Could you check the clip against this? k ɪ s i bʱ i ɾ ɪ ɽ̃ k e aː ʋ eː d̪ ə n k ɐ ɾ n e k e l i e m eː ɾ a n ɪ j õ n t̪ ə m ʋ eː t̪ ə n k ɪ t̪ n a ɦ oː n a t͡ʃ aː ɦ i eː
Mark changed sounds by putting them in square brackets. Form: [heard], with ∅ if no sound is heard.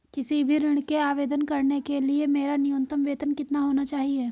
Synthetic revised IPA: k ɪ s i bʱ i ɾ ɪ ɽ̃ k e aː ʋ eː d̪ ə n k ɐ ɾ n e k e l i e m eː ɾ a n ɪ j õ n t̪ ə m ʋ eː t̪ ə n k ɪ t̪ n a ɦ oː n a t͡ʃ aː ɦ i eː